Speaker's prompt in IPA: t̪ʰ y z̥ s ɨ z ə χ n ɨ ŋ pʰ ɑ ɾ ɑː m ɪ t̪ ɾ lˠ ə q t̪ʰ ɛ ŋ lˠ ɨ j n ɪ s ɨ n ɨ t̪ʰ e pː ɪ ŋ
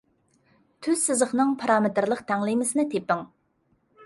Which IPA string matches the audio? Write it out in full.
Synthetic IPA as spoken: t̪ʰ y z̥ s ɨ z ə χ n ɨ ŋ pʰ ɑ ɾ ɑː m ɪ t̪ ɾ lˠ ə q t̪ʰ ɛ ŋ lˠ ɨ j m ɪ s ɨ n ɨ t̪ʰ e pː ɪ ŋ